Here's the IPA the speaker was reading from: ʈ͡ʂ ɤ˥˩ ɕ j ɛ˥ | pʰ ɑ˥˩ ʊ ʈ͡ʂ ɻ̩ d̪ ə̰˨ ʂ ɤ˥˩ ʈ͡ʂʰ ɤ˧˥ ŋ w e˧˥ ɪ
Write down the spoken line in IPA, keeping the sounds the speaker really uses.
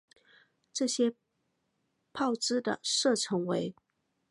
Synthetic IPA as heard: ʈ͡ʂ ɤ˥˩ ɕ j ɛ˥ | pʰ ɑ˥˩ ʊ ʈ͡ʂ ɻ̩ d̪ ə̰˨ ʂ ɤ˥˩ ʈ͡ʂʰ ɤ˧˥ ŋ w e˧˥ ɪ